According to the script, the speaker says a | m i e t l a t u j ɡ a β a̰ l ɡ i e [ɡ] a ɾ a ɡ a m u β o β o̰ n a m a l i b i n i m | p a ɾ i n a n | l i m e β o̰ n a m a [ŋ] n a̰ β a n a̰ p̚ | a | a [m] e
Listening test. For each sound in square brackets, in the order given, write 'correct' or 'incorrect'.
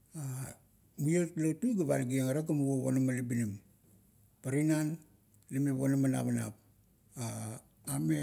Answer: incorrect, incorrect, correct

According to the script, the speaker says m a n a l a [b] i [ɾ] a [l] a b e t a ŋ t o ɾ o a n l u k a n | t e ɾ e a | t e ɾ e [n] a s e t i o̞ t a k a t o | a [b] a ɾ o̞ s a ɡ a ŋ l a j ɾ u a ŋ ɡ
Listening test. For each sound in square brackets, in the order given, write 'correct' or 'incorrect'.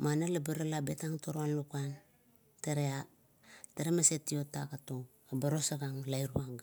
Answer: correct, correct, correct, incorrect, correct

